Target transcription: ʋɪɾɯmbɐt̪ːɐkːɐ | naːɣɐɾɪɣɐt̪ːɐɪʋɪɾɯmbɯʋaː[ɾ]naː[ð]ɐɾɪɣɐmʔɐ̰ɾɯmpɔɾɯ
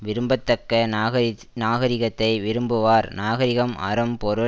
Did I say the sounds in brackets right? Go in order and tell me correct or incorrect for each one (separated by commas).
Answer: correct, incorrect